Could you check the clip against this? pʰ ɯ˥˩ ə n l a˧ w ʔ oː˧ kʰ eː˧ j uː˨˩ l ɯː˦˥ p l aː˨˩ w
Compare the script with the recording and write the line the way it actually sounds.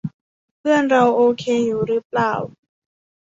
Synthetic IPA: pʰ ɯ˥˩ ə n ɾ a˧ w ʔ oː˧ kʰ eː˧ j uː˨˩ ɾ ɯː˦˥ p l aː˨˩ w